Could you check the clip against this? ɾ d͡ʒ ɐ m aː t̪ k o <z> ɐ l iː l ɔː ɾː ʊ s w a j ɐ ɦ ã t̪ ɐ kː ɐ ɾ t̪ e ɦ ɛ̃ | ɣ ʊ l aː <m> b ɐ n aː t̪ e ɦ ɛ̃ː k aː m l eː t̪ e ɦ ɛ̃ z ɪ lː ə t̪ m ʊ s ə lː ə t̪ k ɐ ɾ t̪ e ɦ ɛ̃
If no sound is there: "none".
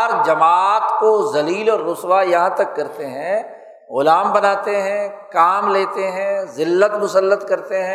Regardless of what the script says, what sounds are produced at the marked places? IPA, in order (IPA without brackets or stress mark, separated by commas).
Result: z, m